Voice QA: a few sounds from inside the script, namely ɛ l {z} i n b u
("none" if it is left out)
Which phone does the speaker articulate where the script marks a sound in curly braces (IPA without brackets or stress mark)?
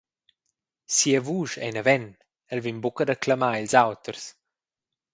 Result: v